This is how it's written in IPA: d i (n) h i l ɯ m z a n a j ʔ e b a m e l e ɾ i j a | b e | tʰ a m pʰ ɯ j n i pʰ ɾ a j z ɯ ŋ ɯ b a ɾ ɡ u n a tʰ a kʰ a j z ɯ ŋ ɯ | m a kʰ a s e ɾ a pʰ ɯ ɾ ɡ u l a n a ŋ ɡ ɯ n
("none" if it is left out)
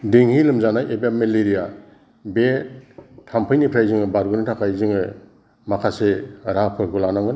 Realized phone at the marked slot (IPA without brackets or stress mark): ŋ